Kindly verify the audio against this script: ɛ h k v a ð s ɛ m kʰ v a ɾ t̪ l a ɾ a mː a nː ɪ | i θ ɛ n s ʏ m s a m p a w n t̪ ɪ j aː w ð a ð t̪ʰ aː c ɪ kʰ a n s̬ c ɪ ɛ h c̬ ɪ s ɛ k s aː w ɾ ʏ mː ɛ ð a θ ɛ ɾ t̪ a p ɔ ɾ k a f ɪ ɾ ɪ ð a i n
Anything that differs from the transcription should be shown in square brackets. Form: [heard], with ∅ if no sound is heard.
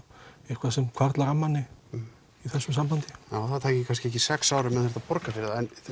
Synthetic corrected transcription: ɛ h k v a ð s ɛ m kʰ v a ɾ t̪ l a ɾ a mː a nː ɪ | i θ ɛ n s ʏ m s a m p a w n t̪ ɪ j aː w [θ] a ð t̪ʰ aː c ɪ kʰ a n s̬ c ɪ ɛ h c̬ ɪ s ɛ k s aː w ɾ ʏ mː ɛ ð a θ ɛ ɾ t̪ a p ɔ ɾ k a f ɪ ɾ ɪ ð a [ɛ] n